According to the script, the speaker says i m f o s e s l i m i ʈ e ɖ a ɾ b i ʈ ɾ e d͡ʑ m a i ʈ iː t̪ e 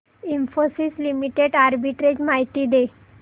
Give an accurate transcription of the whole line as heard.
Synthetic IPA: i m f o s i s l i m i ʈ e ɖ a ɾ b i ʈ ɾ e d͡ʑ m a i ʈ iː d̪ e